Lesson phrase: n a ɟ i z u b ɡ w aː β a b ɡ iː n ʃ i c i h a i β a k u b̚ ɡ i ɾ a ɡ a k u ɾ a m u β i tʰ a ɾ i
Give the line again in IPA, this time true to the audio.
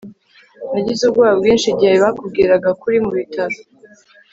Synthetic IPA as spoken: n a ɟ i z u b ɡ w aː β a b ɡ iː n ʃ i ɟ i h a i β a k u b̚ ɡ i ɾ a ɡ a k u ɾ i m u β i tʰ a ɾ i